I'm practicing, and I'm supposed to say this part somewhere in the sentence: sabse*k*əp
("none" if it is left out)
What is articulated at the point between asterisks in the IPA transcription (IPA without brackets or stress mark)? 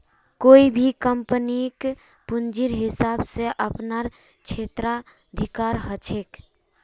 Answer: ʔ